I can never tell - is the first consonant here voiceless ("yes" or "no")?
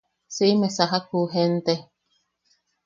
yes